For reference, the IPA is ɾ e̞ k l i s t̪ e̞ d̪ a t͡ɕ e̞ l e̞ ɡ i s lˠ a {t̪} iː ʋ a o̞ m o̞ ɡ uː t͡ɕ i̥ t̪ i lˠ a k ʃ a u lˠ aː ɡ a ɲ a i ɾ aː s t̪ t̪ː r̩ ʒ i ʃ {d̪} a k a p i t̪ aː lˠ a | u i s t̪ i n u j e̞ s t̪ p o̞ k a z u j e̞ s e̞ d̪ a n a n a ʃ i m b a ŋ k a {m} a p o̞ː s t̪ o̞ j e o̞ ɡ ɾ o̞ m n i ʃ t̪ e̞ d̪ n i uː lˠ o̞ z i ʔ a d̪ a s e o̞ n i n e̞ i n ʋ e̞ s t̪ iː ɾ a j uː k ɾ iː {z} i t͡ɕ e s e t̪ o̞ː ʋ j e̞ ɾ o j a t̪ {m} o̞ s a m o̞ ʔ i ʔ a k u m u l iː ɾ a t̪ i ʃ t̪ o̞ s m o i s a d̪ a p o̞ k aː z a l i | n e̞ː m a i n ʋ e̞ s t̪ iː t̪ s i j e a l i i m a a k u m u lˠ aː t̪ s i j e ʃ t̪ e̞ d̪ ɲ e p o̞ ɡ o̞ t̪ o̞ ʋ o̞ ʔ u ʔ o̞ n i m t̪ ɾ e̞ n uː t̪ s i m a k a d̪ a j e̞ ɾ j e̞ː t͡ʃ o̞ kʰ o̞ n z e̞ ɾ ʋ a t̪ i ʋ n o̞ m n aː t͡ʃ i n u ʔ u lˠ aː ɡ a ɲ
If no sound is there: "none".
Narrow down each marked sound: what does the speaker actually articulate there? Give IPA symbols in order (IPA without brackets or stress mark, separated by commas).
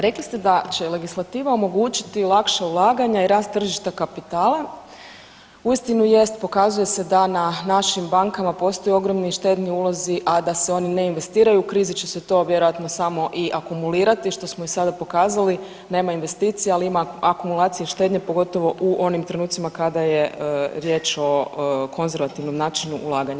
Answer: t̪, t̪, m, z, n